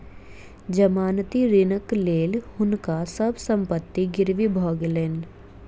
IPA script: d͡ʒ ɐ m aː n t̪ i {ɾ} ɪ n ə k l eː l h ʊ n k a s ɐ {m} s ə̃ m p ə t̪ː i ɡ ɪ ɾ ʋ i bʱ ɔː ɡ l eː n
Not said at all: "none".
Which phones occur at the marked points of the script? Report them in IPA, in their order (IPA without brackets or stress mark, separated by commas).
ɾ, b